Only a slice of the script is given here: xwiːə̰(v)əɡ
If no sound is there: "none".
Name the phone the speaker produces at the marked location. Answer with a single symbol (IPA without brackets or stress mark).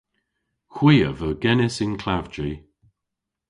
v